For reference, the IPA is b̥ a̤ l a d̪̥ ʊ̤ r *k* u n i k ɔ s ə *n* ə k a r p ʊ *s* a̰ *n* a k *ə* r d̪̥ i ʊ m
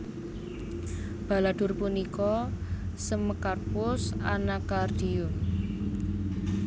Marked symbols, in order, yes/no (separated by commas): no, no, yes, yes, no